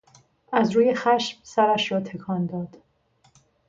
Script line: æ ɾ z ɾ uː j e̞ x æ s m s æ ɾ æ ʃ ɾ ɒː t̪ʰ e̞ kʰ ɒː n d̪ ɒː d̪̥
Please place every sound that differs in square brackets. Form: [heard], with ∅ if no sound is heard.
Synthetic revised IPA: æ [∅] z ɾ uː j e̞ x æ [ʃ] m s æ ɾ æ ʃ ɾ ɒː t̪ʰ e̞ kʰ ɒː n d̪ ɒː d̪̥